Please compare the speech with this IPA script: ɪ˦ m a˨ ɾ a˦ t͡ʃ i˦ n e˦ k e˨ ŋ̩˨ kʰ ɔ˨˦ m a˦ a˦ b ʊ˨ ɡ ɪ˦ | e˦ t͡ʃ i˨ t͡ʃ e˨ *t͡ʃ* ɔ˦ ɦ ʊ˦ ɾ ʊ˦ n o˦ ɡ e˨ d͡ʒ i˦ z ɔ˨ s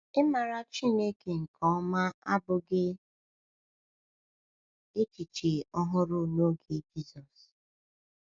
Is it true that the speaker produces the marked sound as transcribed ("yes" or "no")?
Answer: no